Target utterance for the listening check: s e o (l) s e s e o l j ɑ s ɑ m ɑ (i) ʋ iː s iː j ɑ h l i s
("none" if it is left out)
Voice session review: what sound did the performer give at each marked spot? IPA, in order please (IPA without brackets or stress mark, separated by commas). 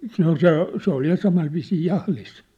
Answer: l, i